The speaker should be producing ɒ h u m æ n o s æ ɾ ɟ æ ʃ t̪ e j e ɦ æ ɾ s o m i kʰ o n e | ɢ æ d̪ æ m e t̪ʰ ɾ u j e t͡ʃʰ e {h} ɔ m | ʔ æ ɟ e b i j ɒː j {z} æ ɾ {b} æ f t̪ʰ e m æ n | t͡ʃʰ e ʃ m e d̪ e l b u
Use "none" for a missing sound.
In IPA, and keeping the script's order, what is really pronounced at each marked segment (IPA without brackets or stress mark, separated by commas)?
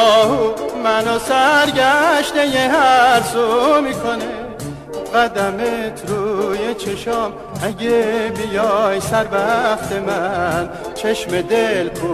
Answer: ʃ, s, b